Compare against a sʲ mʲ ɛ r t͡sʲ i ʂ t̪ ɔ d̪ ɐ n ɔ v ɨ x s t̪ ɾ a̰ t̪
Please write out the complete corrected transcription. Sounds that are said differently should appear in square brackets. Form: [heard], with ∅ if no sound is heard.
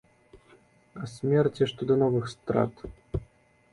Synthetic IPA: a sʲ mʲ ɛ r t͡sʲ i ʂ t̪ ɔ d̪ ɐ n ɔ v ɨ x s t̪ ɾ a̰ t̪